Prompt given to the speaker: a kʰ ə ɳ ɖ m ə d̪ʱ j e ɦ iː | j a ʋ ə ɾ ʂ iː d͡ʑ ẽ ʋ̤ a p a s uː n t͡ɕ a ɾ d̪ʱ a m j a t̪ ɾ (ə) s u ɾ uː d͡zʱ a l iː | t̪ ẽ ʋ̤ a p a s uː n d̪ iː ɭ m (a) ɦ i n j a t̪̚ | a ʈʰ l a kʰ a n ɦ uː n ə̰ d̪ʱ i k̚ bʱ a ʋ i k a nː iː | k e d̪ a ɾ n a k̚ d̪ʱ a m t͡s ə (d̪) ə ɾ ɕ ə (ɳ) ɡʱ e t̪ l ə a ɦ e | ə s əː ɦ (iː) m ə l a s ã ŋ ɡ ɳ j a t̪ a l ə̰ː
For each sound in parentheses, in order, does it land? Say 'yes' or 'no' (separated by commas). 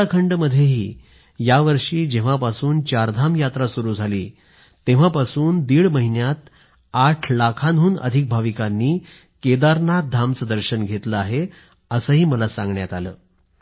no, no, yes, no, yes